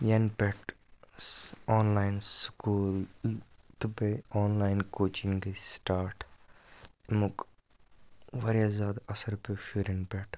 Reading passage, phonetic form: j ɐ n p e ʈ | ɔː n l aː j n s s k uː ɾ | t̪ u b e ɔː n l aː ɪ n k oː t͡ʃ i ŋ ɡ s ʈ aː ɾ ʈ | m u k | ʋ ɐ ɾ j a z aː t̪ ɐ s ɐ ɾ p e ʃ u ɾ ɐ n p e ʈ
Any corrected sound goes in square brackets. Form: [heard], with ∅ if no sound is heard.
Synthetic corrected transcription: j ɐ n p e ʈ | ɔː n l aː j n s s k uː [l] | t̪ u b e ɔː n l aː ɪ n k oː t͡ʃ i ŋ ɡ s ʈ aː ɾ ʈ | m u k | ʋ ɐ ɾ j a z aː [d̪] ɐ s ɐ ɾ p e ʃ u ɾ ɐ n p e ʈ